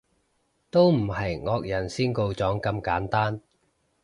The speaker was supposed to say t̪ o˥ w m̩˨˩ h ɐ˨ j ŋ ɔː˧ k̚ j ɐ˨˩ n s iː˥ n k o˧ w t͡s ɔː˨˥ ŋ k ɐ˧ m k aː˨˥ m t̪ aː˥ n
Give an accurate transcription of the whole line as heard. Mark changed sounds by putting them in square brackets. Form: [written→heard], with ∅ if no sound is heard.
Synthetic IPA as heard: t̪ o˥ w m̩˨˩ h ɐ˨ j ŋ ɔː˧ k̚ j ɐ˨˩ n s iː˥ n k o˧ w t͡s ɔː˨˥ ŋ k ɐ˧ m k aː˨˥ [m→n] t̪ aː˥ n

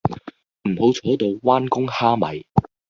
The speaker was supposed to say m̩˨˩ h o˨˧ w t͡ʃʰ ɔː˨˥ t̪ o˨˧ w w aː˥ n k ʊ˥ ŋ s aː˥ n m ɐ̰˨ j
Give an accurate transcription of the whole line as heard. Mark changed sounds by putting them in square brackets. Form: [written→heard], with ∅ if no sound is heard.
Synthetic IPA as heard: m̩˨˩ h o˨˧ w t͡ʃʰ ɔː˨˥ t̪ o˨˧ w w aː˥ n k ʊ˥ ŋ [s→h] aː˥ [n→∅] m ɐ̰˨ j

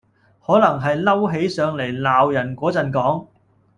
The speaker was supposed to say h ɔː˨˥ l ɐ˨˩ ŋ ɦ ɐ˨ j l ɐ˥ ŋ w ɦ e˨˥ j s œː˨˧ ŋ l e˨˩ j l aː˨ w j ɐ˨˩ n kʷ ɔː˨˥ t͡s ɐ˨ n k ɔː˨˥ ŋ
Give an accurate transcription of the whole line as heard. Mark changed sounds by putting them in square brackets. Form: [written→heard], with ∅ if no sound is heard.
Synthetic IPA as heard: h ɔː˨˥ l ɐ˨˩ ŋ ɦ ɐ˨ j l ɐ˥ [ŋ→∅] w ɦ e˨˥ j s œː˨˧ ŋ l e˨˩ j l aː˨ w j ɐ˨˩ n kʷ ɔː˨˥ t͡s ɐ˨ n k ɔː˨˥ ŋ

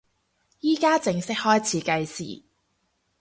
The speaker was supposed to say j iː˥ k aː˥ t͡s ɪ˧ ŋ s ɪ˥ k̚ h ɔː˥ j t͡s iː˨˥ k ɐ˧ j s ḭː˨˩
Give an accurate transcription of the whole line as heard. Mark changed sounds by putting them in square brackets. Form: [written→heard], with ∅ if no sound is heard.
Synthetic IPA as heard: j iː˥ k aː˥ t͡s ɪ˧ ŋ s ɪ˥ k̚ h ɔː˥ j [t͡s→t͡sʰ] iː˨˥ k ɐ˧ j s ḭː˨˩

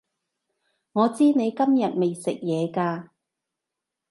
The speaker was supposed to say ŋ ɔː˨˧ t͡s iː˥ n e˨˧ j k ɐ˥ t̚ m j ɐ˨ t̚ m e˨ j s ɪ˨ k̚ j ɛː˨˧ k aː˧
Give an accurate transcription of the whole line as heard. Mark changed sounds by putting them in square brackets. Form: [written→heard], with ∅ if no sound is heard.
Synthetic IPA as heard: ŋ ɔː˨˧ t͡s iː˥ n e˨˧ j k ɐ˥ [t̚→∅] m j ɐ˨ t̚ m e˨ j s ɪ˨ k̚ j ɛː˨˧ k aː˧

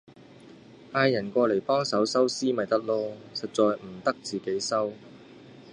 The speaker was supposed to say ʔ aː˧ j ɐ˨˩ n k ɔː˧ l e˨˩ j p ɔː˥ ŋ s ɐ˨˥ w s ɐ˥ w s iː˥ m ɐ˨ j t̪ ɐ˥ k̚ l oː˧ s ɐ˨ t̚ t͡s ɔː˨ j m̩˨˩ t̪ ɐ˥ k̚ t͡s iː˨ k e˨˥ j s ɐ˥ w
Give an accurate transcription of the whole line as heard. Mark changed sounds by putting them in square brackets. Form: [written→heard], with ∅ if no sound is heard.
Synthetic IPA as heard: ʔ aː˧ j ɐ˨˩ n k ɔː˧ l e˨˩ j p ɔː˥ ŋ s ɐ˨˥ w s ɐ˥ w s iː˥ m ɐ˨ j t̪ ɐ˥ k̚ l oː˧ s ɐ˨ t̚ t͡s ɔː˨ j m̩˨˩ t̪ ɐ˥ k̚ t͡s iː˨ k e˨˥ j s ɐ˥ w

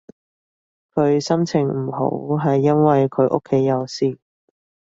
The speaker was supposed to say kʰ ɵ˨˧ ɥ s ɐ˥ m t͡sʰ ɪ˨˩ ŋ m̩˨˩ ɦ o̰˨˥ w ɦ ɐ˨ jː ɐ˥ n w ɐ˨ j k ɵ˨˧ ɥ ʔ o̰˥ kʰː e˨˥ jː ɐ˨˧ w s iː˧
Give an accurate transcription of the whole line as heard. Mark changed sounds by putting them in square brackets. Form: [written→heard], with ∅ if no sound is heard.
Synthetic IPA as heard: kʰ ɵ˨˧ ɥ s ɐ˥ m t͡sʰ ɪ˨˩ ŋ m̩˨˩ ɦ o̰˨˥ w ɦ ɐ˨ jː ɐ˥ n w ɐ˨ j [k→kʰ] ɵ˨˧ ɥ ʔ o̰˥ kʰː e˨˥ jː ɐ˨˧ w s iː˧

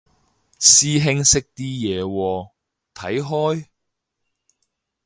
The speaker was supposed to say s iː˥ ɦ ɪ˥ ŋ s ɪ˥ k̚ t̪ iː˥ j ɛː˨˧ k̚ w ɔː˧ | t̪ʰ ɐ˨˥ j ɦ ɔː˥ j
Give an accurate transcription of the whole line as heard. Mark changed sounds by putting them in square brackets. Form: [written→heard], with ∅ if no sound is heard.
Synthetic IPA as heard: s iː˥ ɦ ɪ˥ ŋ s ɪ˥ k̚ t̪ iː˥ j ɛː˨˧ [k̚→∅] w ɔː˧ | t̪ʰ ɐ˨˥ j ɦ ɔː˥ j

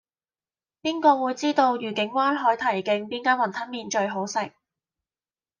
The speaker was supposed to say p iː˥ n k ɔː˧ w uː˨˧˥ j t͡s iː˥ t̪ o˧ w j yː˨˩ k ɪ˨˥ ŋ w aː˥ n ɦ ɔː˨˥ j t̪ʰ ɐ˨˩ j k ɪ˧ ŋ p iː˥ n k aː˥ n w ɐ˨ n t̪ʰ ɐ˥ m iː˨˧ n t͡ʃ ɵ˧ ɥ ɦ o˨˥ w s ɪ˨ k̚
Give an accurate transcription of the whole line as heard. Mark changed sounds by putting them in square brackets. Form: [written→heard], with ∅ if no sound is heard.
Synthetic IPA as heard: p iː˥ n k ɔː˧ w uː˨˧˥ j t͡s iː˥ t̪ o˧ w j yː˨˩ k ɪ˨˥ ŋ w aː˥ n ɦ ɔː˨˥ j t̪ʰ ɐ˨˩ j k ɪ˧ ŋ p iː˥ n k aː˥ n w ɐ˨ n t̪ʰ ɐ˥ m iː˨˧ n t͡ʃ ɵ˧ ɥ ɦ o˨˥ w s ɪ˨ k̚

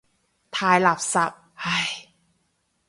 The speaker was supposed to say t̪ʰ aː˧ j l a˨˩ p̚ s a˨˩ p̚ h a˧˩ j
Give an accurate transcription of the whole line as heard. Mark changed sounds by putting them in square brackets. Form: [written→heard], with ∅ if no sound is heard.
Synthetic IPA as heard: t̪ʰ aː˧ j l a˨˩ p̚ s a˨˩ p̚ h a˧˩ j

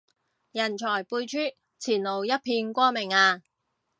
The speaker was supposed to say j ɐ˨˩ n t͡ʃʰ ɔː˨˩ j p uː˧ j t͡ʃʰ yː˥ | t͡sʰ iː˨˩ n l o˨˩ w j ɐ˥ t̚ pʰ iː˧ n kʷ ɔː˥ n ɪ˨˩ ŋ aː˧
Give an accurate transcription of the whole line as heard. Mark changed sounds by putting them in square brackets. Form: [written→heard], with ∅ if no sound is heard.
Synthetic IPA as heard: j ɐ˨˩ n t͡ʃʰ ɔː˨˩ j p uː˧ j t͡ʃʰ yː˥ | t͡sʰ iː˨˩ n l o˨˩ w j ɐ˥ t̚ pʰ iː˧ n kʷ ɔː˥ [n→m] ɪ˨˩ ŋ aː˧

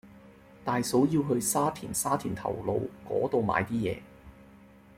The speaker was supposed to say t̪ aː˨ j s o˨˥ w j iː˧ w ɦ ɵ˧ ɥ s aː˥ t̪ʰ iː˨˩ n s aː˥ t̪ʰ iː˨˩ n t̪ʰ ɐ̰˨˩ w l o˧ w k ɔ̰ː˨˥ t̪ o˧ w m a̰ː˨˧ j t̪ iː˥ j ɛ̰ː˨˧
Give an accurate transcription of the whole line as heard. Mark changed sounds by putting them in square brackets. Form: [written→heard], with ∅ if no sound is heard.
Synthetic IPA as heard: t̪ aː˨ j s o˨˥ w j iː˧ w ɦ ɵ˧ ɥ s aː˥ t̪ʰ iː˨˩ n s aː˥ t̪ʰ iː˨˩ n t̪ʰ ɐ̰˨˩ w l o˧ w k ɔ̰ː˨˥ t̪ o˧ w m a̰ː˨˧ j t̪ iː˥ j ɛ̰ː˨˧

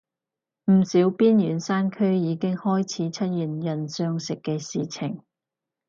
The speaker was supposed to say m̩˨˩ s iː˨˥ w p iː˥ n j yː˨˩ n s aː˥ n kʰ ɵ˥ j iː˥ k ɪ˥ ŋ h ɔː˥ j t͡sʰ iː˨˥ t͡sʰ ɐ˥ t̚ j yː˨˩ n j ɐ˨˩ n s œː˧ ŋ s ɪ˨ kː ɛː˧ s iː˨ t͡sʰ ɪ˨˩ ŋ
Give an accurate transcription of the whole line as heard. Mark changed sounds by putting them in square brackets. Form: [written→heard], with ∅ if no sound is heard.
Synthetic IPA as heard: m̩˨˩ s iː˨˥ w p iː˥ n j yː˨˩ n s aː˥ n kʰ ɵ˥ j [iː˥→iː˨˧] k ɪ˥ ŋ h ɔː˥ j t͡sʰ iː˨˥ t͡sʰ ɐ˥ t̚ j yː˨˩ n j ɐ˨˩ n s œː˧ ŋ s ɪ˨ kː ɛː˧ s iː˨ t͡sʰ ɪ˨˩ ŋ

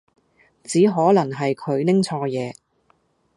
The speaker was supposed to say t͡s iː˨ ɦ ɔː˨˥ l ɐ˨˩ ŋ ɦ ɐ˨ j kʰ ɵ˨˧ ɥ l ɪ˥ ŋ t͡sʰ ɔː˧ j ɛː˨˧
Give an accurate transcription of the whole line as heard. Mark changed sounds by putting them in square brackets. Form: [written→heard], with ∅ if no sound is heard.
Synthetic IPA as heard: t͡s [iː˨→iː˨˥] ɦ ɔː˨˥ l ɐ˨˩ ŋ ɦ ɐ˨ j kʰ ɵ˨˧ ɥ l ɪ˥ ŋ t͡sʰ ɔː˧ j ɛː˨˧

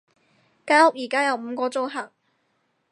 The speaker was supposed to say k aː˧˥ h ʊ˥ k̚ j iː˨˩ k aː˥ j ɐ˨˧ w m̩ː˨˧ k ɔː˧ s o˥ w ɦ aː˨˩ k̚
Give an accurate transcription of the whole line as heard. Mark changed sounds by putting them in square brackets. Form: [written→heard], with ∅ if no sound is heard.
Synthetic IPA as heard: k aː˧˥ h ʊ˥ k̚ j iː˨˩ k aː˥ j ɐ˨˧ w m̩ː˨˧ k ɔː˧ [s→t͡s] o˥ w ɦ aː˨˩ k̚

